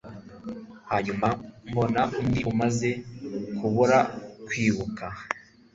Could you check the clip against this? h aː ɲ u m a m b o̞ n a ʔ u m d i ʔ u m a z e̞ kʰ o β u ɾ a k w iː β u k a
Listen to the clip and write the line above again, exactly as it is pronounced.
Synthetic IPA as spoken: h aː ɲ u m a m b o̞ n a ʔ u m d i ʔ u m a z e̞ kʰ u β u ɾ a k w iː β u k a